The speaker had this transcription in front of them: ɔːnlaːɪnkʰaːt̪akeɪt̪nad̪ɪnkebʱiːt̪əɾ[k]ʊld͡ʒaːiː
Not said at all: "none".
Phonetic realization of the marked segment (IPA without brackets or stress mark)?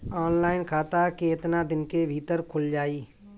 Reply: kʰ